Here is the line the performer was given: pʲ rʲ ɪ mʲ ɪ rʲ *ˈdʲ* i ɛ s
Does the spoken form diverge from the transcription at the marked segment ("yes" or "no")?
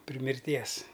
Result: yes